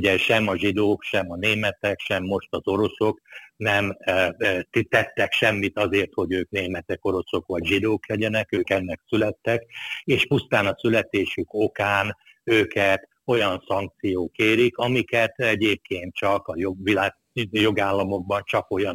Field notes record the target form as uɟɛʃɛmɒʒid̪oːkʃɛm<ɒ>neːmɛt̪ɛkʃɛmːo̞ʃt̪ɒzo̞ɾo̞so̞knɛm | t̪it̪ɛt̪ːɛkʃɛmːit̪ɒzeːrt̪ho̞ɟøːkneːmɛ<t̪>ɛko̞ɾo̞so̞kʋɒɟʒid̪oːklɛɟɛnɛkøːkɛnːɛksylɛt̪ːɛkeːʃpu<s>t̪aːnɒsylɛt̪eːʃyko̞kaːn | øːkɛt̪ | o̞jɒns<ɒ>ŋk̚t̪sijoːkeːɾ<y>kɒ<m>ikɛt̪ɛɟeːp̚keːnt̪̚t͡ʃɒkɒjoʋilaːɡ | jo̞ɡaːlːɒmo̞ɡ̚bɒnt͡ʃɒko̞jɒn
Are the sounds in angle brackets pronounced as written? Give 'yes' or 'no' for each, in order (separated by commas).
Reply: yes, yes, yes, yes, no, yes